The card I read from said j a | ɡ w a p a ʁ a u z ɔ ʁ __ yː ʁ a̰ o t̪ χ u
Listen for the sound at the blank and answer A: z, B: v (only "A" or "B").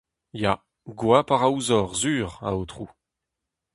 A